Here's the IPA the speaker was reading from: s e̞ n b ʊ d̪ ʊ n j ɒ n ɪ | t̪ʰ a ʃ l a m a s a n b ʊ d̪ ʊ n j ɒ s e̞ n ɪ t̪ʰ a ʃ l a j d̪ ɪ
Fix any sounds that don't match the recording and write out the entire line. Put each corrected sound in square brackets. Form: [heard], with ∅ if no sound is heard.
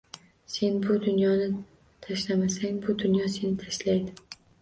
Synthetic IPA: s e̞ n b ʊ d̪ ʊ n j ɒ n ɪ | t̪ʰ a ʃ l a m a s a [ŋ] b ʊ d̪ ʊ n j ɒ s e̞ n ɪ t̪ʰ a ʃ l a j d̪ ɪ